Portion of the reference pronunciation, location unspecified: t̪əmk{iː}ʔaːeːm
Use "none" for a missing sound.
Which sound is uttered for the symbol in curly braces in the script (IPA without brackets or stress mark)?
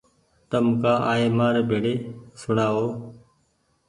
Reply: aː